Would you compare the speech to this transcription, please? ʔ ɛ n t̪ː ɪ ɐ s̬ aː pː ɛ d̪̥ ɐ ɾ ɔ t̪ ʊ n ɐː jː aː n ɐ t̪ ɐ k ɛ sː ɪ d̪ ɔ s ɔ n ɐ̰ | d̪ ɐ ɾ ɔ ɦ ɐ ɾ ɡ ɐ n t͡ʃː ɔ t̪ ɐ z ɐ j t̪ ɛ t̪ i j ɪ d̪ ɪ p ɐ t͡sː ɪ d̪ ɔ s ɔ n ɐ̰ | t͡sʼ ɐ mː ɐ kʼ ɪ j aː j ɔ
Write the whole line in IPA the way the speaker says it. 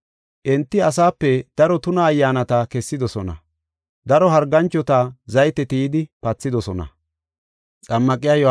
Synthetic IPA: ʔ ɛ n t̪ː ɪ ɐ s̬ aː pː ɛ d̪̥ ɐ ɾ ɔ t̪ ʊ n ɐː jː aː n ɐ t̪ ɐ k ɛ sː ɪ d̪ ɔ s ɔ n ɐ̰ | d̪ ɐ ɾ ɔ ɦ ɐ ɾ ɡ ɐ n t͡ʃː ɔ t̪ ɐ z ɐ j t̪ ɛ t̪ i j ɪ d̪ ɪ p ɐ t͡sː ɪ d̪ ɔ s ɔ n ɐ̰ | t͡sʼ ɐ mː ɐ kʼ ɪ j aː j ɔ

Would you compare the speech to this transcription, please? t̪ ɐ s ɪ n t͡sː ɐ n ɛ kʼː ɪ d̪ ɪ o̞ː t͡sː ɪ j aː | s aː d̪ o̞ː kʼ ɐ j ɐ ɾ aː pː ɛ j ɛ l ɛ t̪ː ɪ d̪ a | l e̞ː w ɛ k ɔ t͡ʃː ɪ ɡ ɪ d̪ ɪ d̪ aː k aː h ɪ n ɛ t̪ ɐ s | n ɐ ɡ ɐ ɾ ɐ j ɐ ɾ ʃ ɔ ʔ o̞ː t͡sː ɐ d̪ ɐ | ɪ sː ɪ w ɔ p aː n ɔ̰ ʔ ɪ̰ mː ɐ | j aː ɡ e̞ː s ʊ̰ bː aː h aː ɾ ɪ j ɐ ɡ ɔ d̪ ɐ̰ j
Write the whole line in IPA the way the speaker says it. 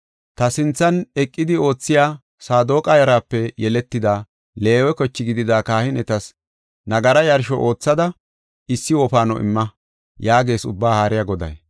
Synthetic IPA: t̪ ɐ s ɪ n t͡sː ɐ n ɛ kʼː ɪ d̪ ɪ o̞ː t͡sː ɪ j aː | s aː d̪ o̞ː kʼ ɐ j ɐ ɾ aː pː ɛ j ɛ l ɛ t̪ː ɪ d̪ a | l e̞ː w ɛ k ɔ t͡ʃː ɪ ɡ ɪ d̪ ɪ d̪ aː k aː h ɪ n ɛ t̪ ɐ s | n ɐ ɡ ɐ ɾ ɐ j ɐ ɾ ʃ ɔ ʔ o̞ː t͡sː ɐ d̪ ɐ | ɪ sː ɪ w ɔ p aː n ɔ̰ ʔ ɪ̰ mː ɐ | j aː ɡ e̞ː s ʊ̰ bː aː h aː ɾ ɪ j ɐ ɡ ɔ d̪ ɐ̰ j

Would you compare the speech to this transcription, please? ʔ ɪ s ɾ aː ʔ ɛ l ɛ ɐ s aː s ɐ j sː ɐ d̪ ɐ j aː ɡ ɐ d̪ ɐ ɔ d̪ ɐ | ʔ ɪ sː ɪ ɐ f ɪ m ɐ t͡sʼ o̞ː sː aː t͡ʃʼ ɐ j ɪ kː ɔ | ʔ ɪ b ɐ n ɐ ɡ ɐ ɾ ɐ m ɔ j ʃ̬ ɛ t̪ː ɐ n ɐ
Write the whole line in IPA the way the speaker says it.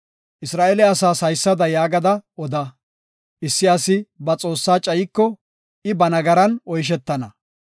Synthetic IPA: ʔ ɪ s ɾ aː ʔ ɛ l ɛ ɐ s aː s ɐ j sː ɐ d̪ ɐ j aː ɡ ɐ d̪ ɐ ɔ d̪ ɐ | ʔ ɪ sː ɪ ɐ s ɪ b ɐ t͡sʼ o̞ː sː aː t͡ʃʼ ɐ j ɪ kː ɔ | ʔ ɪ b ɐ n ɐ ɡ ɐ ɾ ɐ n ɔ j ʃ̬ ɛ t̪ː ɐ n ɐ

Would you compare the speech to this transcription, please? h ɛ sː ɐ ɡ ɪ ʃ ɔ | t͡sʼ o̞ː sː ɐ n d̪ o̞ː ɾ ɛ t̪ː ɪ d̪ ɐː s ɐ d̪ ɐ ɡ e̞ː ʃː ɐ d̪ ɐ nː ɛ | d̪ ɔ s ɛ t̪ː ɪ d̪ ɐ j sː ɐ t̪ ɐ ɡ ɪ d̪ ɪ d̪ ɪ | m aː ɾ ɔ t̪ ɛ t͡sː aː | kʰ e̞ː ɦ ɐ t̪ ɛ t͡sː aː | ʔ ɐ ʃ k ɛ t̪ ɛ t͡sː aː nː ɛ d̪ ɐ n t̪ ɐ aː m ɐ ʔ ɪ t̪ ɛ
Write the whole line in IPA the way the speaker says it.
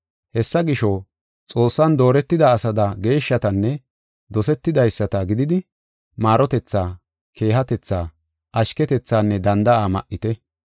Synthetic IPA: h ɛ sː ɐ ɡ ɪ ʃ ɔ | t͡sʼ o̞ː sː ɐ n d̪ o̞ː ɾ ɛ t̪ː ɪ d̪ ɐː s ɐ d̪ ɐ ɡ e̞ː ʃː ɐ t̪ ɐ nː ɛ | d̪ ɔ s ɛ t̪ː ɪ d̪ ɐ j sː ɐ t̪ ɐ ɡ ɪ d̪ ɪ d̪ ɪ | m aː ɾ ɔ t̪ ɛ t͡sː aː | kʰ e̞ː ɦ ɐ t̪ ɛ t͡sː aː | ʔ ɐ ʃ k ɛ t̪ ɛ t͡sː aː nː ɛ d̪ ɐ n d̪ ɐ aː m ɐ ʔ ɪ t̪ ɛ

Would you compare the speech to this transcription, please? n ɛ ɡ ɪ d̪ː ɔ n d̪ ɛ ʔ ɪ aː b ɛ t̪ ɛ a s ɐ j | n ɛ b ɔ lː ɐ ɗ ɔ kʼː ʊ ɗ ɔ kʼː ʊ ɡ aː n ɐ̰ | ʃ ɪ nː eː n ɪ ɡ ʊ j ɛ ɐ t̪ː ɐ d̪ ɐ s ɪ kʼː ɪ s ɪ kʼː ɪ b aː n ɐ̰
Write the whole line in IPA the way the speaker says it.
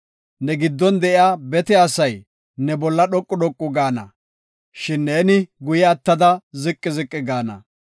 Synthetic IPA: n ɛ ɡ ɪ d̪ː ɔ n d̪ ɛ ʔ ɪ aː b ɛ t̪ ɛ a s ɐ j | n ɛ b ɔ lː ɐ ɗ ɔ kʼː ʊ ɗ ɔ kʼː ʊ ɡ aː n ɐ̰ | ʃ ɪ nː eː n ɪ ɡ ʊ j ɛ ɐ t̪ː ɐ d̪ ɐ z ɪ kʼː ɪ z ɪ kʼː ɪ ɡ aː n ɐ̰

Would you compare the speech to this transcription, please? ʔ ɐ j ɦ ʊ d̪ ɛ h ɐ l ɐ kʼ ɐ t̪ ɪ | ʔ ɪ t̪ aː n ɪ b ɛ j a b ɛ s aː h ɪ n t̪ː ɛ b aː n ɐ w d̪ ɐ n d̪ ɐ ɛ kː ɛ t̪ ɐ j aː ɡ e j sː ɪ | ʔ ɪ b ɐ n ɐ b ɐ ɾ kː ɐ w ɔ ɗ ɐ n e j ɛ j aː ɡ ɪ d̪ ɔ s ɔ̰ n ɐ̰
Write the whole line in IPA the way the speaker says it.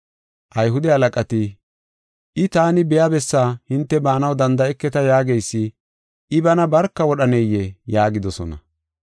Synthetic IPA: ʔ ɐ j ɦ ʊ d̪ ɛ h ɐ l ɐ kʼ ɐ t̪ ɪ | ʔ ɪ t̪ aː n ɪ b ɛ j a b ɛ sː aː h ɪ n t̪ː ɛ b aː n ɐ w d̪ ɐ n d̪ ɐ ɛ kː ɛ t̪ ɐ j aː ɡ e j sː ɪ | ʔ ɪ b ɐ n ɐ b ɐ ɾ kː ɐ w ɔ ɗ ɐ n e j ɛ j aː ɡ ɪ d̪ ɔ s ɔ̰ n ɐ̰

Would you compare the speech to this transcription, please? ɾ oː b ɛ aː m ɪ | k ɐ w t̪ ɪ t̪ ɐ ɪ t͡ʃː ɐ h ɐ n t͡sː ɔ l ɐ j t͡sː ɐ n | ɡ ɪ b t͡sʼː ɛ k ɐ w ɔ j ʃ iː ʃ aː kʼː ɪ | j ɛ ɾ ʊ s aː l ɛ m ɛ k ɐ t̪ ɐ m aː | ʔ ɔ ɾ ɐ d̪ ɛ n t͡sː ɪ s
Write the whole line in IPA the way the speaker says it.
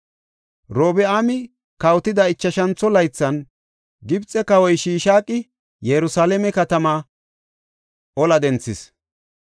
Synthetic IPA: ɾ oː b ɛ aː m ɪ | k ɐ w t̪ ɪ d̪ ɐ ɪ t͡ʃː ɐ ʃ ɐ n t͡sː ɔ l ɐ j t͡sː ɐ n | ɡ ɪ b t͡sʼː ɛ k ɐ w ɔ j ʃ iː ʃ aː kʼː ɪ | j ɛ ɾ ʊ s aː l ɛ m ɛ k ɐ t̪ ɐ m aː | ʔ ɔ l ɐ d̪ ɛ n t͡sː ɪ s

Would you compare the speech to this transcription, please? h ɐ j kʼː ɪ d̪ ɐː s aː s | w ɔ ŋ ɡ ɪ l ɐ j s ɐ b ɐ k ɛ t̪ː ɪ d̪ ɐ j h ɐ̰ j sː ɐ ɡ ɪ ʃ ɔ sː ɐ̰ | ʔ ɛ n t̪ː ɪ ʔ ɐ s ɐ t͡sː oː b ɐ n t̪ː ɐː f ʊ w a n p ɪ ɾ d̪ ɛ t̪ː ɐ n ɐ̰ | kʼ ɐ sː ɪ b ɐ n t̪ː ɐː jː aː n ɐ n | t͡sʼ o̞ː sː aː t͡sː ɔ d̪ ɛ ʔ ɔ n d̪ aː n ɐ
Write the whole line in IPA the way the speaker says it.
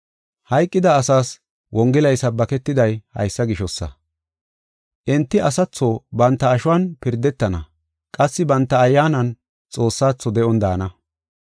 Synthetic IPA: h ɐ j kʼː ɪ d̪ ɐː s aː s | w ɔ ŋ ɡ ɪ l ɐ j s ɐ b ɐ k ɛ t̪ː ɪ d̪ ɐ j h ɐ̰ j sː ɐ ɡ ɪ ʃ ɔ sː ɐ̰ | ʔ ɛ n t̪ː ɪ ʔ ɐ s ɐ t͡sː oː b ɐ n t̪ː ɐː ʃ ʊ w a n p ɪ ɾ d̪ ɛ t̪ː ɐ n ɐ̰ | kʼ ɐ sː ɪ b ɐ n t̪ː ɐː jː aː n ɐ n | t͡sʼ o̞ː sː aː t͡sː ɔ d̪ ɛ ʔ ɔ n d̪ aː n ɐ

